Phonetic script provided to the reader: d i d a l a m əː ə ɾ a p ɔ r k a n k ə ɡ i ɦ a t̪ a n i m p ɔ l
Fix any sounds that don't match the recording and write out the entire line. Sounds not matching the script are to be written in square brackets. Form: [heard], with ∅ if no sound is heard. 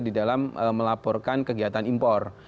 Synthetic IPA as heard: d i d a l a m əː ə [l] a p ɔ r k a n k ə ɡ i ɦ a t̪ a n i m p ɔ [r]